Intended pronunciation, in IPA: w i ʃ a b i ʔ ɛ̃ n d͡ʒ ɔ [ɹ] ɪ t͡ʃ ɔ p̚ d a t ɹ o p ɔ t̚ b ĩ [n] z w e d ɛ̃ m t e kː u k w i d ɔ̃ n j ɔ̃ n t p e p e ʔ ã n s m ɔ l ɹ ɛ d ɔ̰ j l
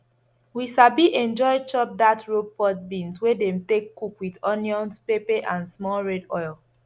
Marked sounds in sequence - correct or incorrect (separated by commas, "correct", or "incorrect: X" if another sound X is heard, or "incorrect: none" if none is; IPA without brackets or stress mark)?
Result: incorrect: none, correct